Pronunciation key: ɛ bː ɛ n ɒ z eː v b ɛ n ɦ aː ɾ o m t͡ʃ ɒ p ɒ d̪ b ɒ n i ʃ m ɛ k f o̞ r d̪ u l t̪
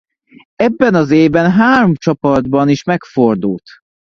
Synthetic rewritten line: ɛ bː ɛ n ɒ z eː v b ɛ n ɦ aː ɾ o m t͡ʃ ɒ p ɒ d̪ b ɒ n i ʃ m ɛ k f o̞ r d̪ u l t̪